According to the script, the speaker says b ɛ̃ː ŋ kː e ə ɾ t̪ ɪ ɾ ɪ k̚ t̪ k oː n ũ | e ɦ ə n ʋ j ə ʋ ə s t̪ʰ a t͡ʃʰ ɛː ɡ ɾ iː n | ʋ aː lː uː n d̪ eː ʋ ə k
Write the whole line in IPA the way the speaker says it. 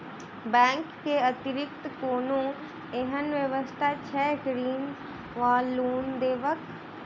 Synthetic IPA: b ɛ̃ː ŋ kː e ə t̪ ɪ ɾ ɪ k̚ t̪ k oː n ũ | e ɦ ə n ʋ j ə ʋ ə s t̪ʰ a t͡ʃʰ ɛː ɡ ɾ iː n | ʋ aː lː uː n d̪ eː ʋ ə k